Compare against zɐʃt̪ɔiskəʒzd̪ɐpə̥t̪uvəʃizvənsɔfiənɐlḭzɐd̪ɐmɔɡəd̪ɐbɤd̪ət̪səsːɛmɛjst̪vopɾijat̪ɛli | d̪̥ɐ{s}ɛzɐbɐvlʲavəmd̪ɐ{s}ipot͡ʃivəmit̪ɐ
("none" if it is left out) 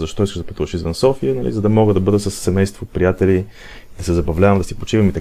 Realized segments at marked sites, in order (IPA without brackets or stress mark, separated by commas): s, s